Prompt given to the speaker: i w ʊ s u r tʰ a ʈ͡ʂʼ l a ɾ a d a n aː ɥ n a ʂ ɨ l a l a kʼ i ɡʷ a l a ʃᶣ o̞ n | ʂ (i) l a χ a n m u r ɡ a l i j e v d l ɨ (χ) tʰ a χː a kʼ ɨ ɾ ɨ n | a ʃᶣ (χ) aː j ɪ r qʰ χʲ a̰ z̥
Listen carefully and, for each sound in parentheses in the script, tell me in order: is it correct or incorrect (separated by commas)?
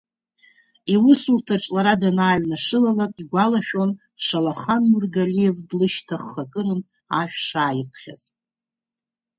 incorrect, incorrect, incorrect